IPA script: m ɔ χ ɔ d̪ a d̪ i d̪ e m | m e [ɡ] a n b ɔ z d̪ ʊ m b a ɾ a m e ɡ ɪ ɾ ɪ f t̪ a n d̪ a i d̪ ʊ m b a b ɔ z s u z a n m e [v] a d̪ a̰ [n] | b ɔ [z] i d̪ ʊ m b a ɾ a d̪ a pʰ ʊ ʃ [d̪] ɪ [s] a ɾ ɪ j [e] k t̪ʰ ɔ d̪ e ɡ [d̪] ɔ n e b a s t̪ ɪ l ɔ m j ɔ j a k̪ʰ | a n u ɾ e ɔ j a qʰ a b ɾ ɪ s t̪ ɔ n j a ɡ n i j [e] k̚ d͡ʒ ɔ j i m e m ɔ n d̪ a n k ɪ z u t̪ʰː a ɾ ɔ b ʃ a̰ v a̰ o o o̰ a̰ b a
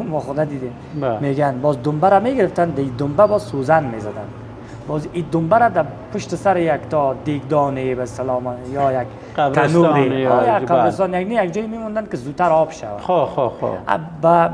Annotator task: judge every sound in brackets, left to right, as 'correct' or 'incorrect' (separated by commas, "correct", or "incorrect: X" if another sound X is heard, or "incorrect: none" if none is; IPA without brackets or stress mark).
correct, incorrect: z, correct, correct, incorrect: t̪, correct, incorrect: a, correct, incorrect: a